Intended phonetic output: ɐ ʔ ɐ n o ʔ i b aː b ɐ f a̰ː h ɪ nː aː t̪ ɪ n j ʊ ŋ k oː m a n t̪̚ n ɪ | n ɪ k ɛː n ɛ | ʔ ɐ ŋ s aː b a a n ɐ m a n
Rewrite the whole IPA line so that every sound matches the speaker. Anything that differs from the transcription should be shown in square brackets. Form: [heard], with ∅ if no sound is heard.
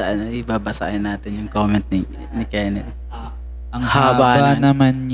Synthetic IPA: ɐ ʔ ɐ n o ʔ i b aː b ɐ [s] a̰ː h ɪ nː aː t̪ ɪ n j ʊ ŋ k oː m [ɛ] n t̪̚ n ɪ | n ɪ k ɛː n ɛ | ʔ ɐ ŋ [h] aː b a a n ɐ m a n